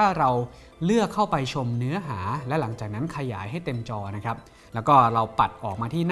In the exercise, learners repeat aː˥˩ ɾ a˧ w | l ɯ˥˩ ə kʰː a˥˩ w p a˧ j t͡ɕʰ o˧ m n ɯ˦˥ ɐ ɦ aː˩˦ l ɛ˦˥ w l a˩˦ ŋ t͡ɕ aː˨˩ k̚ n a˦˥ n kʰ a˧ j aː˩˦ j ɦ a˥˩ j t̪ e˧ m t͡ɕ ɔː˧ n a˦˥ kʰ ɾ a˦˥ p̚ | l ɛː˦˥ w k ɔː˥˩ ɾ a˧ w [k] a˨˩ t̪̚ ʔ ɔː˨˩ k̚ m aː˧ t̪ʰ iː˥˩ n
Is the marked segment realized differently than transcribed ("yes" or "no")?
yes